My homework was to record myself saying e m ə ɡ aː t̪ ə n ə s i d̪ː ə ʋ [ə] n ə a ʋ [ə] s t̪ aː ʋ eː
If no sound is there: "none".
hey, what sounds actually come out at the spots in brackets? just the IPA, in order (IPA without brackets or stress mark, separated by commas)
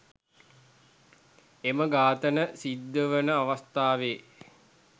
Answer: ə, a